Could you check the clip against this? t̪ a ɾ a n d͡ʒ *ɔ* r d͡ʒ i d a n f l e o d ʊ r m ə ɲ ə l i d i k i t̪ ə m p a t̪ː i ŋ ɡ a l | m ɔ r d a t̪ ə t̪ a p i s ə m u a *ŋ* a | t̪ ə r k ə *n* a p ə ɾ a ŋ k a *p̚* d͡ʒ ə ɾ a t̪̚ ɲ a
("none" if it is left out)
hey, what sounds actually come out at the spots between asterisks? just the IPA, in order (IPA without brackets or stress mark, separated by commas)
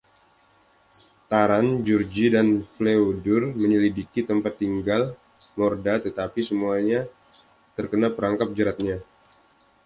u, ɲ, n, p̚